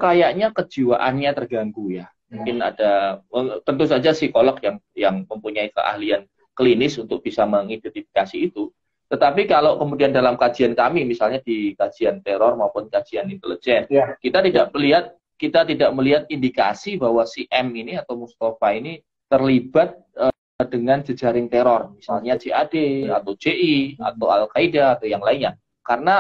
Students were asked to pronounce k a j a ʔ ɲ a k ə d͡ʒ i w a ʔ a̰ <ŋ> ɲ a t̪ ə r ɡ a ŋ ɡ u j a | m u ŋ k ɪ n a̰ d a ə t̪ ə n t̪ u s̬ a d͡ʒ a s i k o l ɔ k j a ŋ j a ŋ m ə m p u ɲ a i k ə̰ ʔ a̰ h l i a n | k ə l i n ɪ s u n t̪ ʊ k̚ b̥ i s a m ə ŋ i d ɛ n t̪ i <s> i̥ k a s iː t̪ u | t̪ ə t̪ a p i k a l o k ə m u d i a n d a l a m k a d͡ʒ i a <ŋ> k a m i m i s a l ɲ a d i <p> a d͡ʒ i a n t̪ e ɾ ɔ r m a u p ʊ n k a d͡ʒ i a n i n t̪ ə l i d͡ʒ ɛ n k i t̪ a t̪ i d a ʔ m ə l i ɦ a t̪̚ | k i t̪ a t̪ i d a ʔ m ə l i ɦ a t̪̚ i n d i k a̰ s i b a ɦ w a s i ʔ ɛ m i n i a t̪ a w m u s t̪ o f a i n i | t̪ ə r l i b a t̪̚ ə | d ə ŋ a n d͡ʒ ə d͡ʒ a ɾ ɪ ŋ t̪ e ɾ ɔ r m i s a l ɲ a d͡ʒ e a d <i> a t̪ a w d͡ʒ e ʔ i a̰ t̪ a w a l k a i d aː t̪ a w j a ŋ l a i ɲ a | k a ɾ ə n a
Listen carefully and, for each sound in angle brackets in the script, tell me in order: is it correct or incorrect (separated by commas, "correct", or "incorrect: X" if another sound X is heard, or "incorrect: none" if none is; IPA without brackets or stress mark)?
incorrect: n, incorrect: f, incorrect: n, incorrect: k, incorrect: e